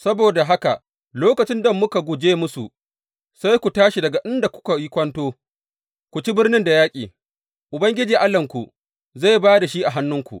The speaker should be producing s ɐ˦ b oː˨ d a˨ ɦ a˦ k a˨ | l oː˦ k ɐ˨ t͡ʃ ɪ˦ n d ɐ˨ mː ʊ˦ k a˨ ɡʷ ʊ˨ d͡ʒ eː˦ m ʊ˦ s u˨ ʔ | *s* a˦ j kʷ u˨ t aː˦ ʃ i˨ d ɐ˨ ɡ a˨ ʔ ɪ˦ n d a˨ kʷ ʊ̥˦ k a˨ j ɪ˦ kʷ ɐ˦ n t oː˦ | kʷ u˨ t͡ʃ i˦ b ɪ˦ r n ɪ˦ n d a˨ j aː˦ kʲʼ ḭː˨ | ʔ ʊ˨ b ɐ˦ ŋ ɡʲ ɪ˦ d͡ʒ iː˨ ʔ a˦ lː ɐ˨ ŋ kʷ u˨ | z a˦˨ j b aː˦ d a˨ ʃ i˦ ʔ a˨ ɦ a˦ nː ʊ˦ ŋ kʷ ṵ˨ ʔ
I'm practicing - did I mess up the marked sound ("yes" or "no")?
no